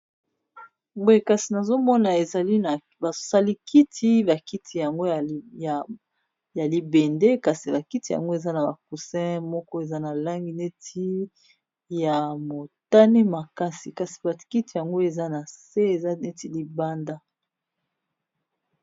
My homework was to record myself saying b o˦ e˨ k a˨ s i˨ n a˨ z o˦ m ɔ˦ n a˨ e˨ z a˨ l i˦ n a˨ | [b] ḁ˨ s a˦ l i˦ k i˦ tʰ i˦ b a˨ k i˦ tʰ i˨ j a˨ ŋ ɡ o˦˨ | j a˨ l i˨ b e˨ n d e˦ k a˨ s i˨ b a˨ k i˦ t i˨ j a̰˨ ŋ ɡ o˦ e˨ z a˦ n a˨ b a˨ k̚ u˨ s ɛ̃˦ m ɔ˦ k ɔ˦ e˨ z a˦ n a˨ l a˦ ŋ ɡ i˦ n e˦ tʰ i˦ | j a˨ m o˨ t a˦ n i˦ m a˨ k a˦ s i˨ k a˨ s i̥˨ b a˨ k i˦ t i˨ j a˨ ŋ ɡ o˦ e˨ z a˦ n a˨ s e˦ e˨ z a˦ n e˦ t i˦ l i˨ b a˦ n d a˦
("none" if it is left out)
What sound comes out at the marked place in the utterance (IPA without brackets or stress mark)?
b